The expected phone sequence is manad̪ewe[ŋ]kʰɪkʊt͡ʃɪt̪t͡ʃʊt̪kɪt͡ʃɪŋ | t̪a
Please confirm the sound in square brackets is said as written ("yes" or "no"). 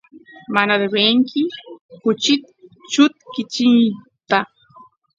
yes